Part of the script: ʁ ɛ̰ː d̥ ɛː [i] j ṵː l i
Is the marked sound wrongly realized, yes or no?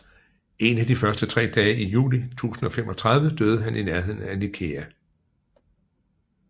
no